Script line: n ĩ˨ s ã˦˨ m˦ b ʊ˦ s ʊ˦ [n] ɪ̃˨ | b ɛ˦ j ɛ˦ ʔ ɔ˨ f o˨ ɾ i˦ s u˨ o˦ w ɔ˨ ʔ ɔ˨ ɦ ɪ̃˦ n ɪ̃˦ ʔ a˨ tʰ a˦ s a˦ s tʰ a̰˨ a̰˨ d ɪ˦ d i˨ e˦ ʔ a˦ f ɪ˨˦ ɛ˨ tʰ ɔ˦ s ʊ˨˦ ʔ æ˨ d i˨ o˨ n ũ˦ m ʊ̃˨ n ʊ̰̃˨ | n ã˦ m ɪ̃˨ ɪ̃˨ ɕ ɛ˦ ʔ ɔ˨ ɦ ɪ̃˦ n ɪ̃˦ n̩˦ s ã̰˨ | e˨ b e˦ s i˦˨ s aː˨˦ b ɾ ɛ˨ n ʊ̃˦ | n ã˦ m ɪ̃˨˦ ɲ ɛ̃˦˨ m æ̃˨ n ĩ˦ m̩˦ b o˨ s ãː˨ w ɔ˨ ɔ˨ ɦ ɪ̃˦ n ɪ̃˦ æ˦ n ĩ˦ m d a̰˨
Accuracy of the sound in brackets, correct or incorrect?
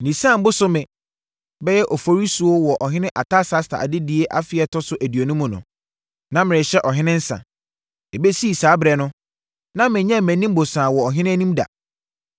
incorrect